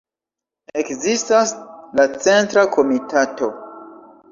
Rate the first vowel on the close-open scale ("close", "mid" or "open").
mid